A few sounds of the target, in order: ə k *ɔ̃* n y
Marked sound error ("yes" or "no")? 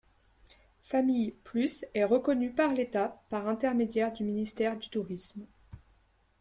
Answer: yes